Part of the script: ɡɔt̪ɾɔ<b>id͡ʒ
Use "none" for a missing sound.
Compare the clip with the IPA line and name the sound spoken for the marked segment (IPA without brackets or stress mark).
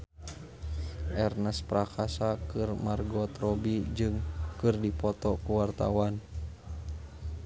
b